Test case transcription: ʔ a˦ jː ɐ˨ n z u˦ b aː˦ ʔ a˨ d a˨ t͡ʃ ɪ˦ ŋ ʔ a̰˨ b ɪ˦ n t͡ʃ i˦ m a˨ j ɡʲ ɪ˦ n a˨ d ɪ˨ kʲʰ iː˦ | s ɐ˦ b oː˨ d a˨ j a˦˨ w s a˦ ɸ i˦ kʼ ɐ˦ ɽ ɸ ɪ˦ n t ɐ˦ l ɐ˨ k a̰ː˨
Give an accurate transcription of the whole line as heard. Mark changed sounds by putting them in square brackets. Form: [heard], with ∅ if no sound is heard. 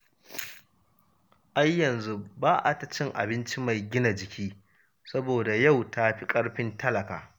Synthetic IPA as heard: ʔ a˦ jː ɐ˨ n z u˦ b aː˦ ʔ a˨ [t] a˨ t͡ʃ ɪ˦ ŋ ʔ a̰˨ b ɪ˦ n t͡ʃ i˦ m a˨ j ɡʲ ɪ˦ n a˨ [d͡ʒ] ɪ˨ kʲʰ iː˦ | s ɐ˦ b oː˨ d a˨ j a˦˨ w [t] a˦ ɸ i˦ kʼ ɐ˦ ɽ ɸ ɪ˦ n t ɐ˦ l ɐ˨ k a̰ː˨